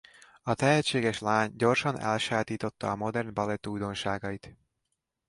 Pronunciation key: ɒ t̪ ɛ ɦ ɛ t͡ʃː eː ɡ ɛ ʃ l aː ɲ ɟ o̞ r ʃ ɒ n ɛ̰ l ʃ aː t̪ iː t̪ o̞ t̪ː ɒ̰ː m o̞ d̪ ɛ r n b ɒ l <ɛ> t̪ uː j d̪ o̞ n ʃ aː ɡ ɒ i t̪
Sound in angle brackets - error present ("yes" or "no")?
no